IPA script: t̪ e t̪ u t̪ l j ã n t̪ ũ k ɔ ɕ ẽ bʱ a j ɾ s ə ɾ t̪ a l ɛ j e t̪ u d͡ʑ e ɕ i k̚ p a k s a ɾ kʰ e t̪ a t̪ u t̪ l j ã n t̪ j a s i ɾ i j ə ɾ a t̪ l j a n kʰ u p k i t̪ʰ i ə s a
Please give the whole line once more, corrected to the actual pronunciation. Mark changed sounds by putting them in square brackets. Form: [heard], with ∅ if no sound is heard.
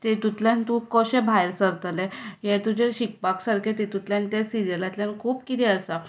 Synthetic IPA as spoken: t̪ e t̪ u t̪ l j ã n t̪ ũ k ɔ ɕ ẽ bʱ a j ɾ s ə ɾ t̪ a l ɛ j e t̪ u d͡ʑ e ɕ i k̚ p a k s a ɾ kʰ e t̪ [e] t̪ u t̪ l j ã n t̪ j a s i ɾ i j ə [l] a t̪ l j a n kʰ [uː] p k i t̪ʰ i ə s a